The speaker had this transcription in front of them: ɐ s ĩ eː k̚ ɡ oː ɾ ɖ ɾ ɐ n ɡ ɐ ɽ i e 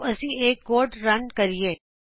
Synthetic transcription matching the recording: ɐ s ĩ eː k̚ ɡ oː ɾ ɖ ɾ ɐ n k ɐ ɾ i e